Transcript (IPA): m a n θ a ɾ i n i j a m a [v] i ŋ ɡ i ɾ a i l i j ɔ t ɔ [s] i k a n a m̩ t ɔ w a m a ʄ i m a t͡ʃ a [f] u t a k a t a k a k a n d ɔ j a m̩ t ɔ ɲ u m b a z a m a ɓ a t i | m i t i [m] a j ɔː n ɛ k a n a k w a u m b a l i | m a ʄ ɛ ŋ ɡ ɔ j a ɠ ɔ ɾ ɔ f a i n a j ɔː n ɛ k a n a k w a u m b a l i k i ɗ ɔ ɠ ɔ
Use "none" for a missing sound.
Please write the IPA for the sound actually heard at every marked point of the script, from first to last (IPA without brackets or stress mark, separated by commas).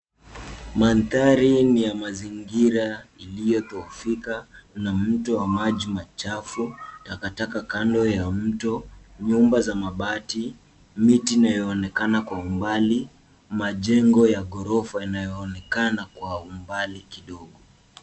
z, f, f, n